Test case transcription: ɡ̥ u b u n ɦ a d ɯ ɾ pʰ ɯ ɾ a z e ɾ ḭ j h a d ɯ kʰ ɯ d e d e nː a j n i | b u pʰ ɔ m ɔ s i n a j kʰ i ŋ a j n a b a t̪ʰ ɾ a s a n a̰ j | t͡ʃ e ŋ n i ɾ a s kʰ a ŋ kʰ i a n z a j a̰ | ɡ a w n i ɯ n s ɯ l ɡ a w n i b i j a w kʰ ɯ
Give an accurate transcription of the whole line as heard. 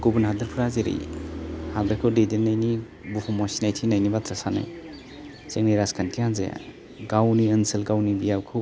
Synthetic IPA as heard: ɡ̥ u b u n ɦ a d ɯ ɾ pʰ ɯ ɾ a z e ɾ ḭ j h a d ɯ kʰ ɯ d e d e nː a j n i | b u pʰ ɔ m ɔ s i n a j tʰ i n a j n i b a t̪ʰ ɾ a s a n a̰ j | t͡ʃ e ŋ n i ɾ a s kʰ a n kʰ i a n z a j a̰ | ɡ a w n i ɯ n s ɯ l ɡ a w n i b i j a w kʰ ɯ